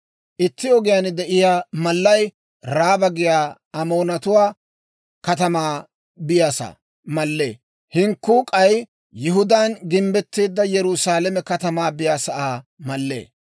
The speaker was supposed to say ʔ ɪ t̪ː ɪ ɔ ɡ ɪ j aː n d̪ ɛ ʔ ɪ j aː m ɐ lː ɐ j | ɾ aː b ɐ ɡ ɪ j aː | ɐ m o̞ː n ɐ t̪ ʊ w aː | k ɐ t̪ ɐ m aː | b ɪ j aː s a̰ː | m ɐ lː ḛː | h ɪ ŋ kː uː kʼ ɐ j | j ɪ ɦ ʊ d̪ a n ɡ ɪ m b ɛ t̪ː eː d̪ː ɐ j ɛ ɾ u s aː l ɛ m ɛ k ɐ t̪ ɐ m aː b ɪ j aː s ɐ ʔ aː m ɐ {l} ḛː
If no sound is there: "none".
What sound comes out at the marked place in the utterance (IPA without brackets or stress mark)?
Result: lː